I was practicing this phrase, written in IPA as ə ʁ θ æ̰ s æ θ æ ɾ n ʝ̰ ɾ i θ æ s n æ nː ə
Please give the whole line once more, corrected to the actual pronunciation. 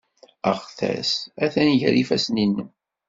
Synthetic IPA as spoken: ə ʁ θ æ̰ s æ θ æ n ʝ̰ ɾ i f æ s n i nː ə

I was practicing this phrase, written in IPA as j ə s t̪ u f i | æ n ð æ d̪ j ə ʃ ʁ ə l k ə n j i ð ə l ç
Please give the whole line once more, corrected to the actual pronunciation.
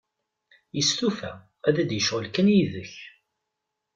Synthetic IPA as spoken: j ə s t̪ u f æ | æ ð æ d̪ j ə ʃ ʁ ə l k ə n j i ð ə ç

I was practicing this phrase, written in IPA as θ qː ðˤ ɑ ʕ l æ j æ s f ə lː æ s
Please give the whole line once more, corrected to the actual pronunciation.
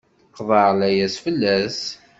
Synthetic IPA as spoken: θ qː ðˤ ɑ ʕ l æ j æ s f ə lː æ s

